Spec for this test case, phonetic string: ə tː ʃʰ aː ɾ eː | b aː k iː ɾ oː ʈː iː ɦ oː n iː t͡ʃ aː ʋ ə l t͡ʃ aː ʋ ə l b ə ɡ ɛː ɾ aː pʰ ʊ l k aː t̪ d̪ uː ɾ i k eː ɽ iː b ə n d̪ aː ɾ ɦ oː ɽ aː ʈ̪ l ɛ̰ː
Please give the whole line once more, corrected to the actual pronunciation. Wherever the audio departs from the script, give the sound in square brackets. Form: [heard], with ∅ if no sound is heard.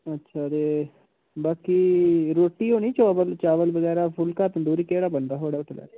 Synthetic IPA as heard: ə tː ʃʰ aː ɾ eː | b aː k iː ɾ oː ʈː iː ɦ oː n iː t͡ʃ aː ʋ ə l t͡ʃ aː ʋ ə l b ə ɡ ɛː ɾ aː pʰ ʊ l k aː t̪ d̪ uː ɾ i k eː ɽ [aː] b ə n d̪ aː [∅] ɦ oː ɽ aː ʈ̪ l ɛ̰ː

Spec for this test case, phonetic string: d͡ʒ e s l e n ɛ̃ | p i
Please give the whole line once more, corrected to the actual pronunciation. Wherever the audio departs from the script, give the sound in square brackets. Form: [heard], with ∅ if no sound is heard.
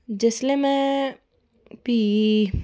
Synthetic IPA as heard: d͡ʒ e s l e [m] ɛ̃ | p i

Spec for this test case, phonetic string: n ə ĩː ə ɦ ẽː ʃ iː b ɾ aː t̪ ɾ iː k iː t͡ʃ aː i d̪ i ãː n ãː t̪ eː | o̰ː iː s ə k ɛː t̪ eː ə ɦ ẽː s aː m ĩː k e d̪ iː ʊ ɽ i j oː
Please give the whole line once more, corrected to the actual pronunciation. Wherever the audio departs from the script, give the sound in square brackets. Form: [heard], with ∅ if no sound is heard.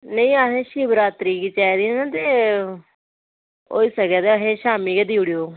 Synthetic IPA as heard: n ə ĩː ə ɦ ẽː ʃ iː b ɾ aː t̪ ɾ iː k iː t͡ʃ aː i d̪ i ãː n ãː t̪ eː | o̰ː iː s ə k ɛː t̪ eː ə ɦ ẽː [ʃ] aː m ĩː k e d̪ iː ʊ ɽ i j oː

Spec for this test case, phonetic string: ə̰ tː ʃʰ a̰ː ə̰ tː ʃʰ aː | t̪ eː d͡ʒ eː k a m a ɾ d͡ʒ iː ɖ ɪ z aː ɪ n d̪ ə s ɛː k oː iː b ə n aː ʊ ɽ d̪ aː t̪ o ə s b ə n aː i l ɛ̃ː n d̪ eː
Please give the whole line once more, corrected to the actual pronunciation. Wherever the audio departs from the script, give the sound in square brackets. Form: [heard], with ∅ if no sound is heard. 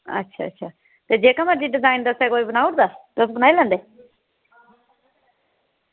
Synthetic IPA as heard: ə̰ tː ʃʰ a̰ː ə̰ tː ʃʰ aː | t̪ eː d͡ʒ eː k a m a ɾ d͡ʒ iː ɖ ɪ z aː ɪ n d̪ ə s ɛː k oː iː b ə n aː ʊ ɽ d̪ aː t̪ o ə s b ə n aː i l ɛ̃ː n d̪ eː

